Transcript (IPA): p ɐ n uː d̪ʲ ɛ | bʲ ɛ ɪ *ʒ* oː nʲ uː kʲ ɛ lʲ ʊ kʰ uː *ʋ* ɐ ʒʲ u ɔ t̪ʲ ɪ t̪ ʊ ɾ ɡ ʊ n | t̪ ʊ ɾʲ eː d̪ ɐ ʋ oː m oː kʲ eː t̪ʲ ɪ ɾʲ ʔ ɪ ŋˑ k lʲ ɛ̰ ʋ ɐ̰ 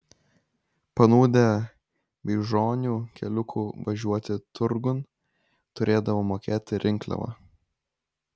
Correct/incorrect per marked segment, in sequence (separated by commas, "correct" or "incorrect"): correct, correct